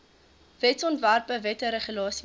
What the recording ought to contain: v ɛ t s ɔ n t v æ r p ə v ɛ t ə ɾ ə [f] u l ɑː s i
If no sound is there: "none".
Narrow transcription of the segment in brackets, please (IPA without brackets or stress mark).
χ